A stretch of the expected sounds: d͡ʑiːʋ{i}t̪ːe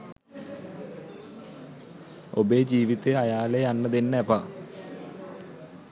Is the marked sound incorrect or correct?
correct